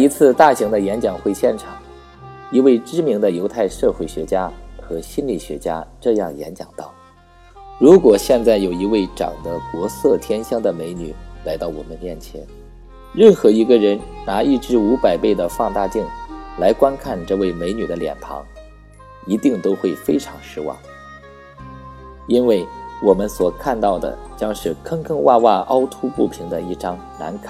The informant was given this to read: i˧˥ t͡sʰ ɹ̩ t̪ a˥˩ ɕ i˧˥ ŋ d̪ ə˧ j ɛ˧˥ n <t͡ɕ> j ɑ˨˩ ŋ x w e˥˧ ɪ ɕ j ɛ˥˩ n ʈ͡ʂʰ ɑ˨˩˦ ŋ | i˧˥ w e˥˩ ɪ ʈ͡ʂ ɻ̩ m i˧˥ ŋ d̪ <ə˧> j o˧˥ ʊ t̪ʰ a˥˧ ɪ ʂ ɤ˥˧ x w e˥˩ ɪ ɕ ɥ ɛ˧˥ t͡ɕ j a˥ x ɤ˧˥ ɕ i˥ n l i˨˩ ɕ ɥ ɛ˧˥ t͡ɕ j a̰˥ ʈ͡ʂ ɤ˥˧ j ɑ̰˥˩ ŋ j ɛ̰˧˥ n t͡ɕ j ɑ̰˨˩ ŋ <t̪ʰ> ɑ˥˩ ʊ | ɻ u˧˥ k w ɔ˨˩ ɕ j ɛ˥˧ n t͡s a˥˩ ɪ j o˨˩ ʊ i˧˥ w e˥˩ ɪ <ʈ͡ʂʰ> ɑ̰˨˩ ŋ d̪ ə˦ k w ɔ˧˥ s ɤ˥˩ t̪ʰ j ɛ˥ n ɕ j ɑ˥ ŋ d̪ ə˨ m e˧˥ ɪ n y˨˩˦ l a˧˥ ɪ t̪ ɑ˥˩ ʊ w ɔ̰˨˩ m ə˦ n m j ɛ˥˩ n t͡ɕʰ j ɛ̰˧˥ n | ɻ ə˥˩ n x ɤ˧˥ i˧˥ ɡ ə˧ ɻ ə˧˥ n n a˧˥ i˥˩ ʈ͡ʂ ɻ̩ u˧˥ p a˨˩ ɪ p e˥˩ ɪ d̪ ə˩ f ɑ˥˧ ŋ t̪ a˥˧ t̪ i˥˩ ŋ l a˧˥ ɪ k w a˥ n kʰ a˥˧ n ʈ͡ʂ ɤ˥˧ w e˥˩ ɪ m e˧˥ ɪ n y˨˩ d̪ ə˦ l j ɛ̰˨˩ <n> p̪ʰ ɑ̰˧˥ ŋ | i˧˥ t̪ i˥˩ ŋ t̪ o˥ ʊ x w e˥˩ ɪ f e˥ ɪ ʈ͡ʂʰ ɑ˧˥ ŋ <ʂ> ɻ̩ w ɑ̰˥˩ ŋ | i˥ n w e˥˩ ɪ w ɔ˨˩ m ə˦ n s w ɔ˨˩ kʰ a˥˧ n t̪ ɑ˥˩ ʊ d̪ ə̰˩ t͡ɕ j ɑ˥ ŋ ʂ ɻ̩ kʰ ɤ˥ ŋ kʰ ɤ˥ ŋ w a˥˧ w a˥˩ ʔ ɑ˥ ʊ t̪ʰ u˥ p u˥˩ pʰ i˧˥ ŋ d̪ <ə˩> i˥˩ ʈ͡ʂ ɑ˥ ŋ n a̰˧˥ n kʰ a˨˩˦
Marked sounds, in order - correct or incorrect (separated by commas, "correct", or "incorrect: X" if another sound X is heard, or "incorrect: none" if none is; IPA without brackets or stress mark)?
correct, correct, incorrect: t̪, incorrect: ʈ͡ʂ, correct, correct, incorrect: ə˧